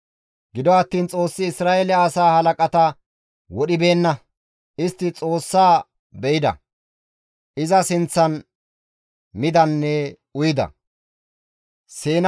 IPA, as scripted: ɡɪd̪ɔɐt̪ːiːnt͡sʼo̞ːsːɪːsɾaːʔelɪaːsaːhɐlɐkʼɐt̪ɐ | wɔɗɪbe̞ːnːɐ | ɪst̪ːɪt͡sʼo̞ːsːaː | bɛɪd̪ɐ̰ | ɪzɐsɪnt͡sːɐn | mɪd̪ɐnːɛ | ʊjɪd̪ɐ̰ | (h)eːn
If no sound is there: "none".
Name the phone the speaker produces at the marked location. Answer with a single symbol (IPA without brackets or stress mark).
s